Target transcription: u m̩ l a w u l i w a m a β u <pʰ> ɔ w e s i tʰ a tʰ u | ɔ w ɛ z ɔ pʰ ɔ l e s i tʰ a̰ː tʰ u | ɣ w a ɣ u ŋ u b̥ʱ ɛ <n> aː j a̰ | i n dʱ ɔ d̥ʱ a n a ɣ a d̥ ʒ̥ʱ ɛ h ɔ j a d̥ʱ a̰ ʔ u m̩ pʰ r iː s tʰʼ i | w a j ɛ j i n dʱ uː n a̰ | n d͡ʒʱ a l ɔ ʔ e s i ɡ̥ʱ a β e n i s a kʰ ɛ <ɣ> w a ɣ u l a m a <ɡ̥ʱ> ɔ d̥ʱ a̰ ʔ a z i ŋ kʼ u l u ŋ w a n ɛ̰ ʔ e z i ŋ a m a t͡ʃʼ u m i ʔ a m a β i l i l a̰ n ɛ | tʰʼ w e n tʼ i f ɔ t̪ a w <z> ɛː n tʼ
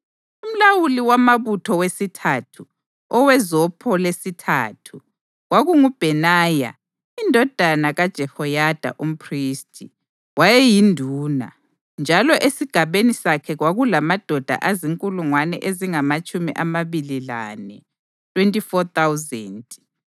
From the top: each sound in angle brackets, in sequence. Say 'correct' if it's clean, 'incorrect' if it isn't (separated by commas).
incorrect, correct, correct, incorrect, correct